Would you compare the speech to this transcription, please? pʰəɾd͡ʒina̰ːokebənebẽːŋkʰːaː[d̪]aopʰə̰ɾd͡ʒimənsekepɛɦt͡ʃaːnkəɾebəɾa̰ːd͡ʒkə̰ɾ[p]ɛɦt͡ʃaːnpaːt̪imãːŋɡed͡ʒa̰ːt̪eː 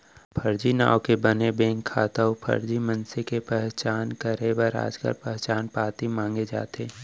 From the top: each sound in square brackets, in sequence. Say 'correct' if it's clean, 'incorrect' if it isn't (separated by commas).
incorrect, correct